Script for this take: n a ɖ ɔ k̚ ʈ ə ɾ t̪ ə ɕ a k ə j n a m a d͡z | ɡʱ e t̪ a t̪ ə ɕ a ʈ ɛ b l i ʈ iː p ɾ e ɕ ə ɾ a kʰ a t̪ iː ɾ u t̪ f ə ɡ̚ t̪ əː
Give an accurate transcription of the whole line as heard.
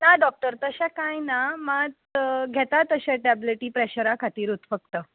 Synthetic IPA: n a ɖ ɔ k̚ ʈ ə ɾ t̪ ə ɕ a k a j n a m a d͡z | ɡʱ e t̪ a t̪ ə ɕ a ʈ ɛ b l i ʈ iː p ɾ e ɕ ə ɾ a kʰ a t̪ iː ɾ u t̪ f ə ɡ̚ t̪ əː